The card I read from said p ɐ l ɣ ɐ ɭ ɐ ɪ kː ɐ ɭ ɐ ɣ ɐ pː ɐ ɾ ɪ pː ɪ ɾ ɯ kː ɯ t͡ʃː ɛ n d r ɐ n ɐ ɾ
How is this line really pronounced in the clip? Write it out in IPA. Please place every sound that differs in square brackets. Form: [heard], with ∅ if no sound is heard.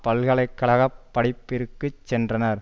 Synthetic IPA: p ɐ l ɣ ɐ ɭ ɐ ɪ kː ɐ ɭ ɐ ɣ ɐ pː ɐ [ɽ] ɪ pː ɪ ɾ ɯ kː ɯ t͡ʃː ɛ n d r ɐ n ɐ ɾ